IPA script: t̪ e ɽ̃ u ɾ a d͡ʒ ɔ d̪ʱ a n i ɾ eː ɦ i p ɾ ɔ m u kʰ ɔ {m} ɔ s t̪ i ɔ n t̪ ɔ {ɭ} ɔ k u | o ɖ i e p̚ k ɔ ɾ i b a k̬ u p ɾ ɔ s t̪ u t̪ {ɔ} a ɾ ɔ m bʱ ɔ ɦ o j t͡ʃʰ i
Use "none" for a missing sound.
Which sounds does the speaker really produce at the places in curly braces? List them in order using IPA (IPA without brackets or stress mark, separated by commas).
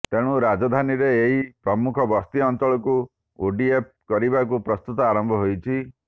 b, ɭ, ɔ